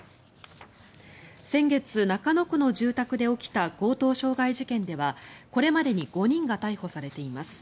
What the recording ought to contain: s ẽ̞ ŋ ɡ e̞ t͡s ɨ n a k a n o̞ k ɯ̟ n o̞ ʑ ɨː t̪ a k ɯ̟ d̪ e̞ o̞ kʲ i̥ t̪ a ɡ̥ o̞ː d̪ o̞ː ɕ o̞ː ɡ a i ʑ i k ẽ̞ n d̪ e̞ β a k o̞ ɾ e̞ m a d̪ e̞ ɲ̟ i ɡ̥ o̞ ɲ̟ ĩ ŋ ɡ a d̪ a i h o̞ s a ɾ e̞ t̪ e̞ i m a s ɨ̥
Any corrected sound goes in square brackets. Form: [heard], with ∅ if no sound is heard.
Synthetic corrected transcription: s ẽ̞ ŋ ɡ e̞ t͡s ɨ n a k a n o̞ k ɯ̟ n o̞ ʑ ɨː t̪ a k ɯ̟ d̪ e̞ o̞ kʲ i̥ t̪ a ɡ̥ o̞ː [t̪] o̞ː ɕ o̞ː ɡ a i ʑ i k ẽ̞ n d̪ e̞ β a k o̞ ɾ e̞ m a d̪ e̞ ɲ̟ i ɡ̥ o̞ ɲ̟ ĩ ŋ ɡ a [t̪] a i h o̞ s a ɾ e̞ t̪ e̞ i m a s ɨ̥